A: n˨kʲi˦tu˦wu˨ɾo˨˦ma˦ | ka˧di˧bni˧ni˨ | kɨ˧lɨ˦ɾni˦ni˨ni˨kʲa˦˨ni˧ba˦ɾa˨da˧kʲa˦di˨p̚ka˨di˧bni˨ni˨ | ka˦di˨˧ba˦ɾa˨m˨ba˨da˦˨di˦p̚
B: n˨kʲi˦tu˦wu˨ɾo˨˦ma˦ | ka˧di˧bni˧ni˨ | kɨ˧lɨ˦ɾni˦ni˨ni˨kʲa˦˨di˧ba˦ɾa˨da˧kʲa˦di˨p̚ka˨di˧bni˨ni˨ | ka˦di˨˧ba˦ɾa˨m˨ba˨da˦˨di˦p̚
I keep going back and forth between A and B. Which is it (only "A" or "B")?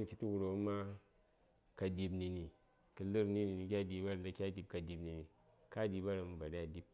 B